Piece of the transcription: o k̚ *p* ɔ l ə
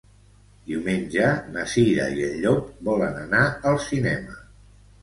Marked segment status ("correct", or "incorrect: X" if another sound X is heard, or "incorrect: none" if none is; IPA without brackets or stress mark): incorrect: b